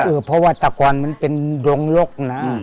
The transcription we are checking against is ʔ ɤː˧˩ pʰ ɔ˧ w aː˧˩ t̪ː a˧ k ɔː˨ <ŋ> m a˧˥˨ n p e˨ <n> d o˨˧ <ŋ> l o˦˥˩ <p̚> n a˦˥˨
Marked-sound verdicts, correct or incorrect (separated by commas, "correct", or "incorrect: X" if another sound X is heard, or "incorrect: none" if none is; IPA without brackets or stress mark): incorrect: n, correct, correct, incorrect: k̚